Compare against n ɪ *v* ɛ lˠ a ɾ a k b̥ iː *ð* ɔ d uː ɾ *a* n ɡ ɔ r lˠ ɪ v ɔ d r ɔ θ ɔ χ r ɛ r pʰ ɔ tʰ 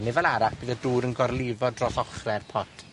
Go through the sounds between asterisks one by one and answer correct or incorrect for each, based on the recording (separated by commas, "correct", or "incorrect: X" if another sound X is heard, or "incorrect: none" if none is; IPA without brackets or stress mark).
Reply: correct, correct, incorrect: ə